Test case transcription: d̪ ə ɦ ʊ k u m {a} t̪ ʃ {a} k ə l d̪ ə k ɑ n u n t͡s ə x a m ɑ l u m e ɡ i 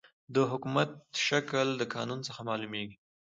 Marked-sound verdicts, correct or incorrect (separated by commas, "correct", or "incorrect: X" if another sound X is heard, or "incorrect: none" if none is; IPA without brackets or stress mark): correct, correct